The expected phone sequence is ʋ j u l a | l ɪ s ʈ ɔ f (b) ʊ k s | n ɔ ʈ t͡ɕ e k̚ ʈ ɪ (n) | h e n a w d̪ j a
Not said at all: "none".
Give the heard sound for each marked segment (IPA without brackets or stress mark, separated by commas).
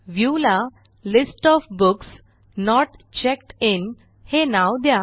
b, n